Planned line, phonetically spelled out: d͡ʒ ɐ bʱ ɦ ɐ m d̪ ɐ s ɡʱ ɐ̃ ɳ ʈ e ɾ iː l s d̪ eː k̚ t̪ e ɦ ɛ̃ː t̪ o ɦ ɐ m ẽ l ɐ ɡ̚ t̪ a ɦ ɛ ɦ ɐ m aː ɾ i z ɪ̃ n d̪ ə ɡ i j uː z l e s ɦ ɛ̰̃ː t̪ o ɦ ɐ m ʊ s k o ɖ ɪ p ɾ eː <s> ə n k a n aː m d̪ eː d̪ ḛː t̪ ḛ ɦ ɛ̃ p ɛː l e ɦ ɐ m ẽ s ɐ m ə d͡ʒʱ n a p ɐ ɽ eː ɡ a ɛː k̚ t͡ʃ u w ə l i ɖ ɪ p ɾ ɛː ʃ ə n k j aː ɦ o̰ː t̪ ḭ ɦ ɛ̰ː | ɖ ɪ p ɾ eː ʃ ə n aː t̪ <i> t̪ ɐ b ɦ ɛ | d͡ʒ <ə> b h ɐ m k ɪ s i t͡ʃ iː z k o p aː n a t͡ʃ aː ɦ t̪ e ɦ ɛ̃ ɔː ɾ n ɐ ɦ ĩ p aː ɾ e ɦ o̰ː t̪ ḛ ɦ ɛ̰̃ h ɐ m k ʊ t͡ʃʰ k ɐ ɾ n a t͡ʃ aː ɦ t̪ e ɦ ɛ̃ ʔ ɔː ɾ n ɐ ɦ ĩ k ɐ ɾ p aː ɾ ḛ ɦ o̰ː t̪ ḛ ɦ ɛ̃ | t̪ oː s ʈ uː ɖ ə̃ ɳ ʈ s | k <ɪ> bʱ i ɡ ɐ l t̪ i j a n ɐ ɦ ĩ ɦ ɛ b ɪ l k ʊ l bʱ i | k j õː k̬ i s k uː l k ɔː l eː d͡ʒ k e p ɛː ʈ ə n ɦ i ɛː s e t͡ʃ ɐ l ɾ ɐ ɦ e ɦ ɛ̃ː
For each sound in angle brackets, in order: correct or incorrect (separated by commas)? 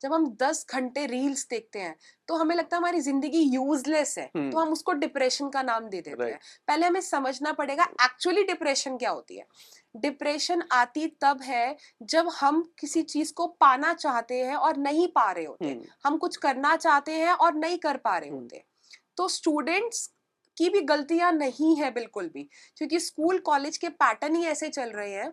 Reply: incorrect, correct, incorrect, incorrect